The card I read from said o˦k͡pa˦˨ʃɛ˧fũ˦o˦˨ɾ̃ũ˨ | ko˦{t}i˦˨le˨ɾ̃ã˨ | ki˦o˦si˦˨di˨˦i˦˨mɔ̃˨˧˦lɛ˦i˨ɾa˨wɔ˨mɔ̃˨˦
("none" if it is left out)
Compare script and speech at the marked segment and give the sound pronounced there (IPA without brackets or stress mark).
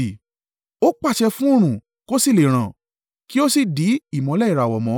s